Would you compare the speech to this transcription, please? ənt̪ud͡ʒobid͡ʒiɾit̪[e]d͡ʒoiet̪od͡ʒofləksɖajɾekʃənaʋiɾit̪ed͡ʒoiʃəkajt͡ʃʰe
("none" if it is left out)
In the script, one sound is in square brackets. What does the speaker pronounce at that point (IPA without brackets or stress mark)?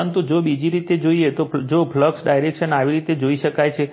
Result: e